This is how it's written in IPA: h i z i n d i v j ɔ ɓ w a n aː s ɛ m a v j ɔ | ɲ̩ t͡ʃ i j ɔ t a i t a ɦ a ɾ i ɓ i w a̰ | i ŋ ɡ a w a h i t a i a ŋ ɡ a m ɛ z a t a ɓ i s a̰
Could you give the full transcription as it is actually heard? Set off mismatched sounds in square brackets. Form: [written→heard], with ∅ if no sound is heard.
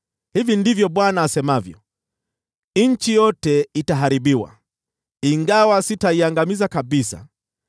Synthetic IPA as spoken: h i [z→v] i n d i v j ɔ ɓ w a n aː s ɛ m a v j ɔ | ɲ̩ t͡ʃ i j ɔ t [a→ɛ] i t a ɦ a ɾ i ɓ i w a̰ | i ŋ ɡ a w a [h→s] i t a i a ŋ ɡ a m [ɛ→i] z a [t→k] a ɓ i s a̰